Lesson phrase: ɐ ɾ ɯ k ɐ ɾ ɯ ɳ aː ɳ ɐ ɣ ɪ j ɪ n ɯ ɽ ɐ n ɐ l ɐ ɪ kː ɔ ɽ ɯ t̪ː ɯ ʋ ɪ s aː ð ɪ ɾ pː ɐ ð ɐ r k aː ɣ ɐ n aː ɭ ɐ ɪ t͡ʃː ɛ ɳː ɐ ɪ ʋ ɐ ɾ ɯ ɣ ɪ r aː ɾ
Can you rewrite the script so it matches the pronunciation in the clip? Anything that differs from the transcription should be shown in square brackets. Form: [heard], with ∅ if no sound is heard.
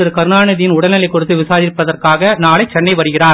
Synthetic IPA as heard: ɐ ɾ ɯ k ɐ ɾ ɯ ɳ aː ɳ ɐ [ð] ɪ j ɪ n [ʊ] ɽ ɐ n ɐ l ɐ ɪ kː ɔ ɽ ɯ t̪ː ɯ ʋ ɪ s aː ð ɪ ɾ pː ɐ ð ɐ r k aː ɣ ɐ n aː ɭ ɐ ɪ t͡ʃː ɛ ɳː ɐ ɪ ʋ ɐ ɾ ɯ ɣ ɪ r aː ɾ